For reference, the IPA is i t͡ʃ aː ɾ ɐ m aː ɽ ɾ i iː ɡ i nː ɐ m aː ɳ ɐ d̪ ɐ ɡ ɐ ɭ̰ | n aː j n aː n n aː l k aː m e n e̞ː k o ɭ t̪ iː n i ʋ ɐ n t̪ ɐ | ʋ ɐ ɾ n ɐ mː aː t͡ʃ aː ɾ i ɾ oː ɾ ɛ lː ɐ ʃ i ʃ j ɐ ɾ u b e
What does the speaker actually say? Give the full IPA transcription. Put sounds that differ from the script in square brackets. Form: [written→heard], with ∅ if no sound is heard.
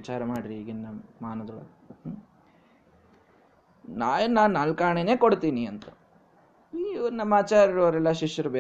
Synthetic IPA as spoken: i t͡ʃ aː ɾ ɐ m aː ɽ ɾ i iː ɡ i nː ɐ m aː [ɳ→n] ɐ d̪ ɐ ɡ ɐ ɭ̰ | n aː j n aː n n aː l k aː [m→ɳ] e n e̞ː k o [ɭ→ɽ] t̪ iː n i [ʋ→∅] ɐ n t̪ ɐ | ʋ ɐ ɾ n ɐ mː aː t͡ʃ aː ɾ i ɾ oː ɾ ɛ lː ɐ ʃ i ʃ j ɐ ɾ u b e